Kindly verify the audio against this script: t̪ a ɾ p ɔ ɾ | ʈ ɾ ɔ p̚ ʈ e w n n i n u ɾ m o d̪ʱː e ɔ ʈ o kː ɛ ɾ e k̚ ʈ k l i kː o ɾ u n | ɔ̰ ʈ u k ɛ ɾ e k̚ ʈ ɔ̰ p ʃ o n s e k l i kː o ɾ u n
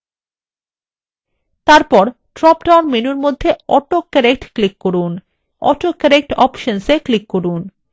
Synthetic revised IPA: t̪ a ɾ p ɔ ɾ | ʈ ɾ ɔ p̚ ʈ a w n m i n u ɾ m o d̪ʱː e ɔ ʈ o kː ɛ ɾ e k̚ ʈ k l i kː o ɾ u n | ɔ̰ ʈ o k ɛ ɾ e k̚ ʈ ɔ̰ p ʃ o n s e k l i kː o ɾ u n